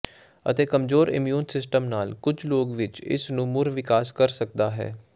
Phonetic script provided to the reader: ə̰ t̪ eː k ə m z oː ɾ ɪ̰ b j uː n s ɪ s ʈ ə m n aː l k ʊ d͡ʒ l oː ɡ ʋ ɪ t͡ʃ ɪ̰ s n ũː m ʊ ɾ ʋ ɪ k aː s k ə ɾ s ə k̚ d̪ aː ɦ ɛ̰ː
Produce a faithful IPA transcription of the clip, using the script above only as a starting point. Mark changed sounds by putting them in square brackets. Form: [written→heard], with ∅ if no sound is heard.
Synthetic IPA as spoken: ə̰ t̪ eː k ə m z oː ɾ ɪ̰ [b→m] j uː n s ɪ s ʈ ə m n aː l k ʊ d͡ʒ l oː ɡ ʋ ɪ t͡ʃ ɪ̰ s n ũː m ʊ ɾ ʋ ɪ k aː s k ə ɾ s ə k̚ d̪ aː ɦ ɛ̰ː